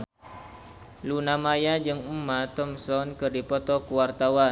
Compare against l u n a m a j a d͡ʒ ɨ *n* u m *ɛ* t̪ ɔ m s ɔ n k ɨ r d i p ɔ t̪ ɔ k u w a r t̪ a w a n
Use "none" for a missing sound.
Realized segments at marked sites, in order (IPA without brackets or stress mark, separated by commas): ŋ, a